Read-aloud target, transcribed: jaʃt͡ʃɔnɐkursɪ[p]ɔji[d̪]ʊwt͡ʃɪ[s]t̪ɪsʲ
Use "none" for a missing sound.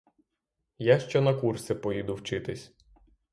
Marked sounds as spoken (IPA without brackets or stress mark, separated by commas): p, d̪, none